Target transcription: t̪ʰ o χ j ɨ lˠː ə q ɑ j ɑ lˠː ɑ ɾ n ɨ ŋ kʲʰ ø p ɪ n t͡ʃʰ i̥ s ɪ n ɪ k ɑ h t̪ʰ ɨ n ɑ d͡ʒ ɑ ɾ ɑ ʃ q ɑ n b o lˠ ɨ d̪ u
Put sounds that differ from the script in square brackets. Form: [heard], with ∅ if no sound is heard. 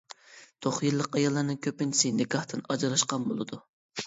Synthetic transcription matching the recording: t̪ʰ o χ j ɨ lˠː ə q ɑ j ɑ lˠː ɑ ɾ n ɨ ŋ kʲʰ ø p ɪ n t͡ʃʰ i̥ s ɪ n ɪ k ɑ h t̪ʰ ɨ n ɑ d͡ʒ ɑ ɾ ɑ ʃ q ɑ n b o lˠ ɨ d̪ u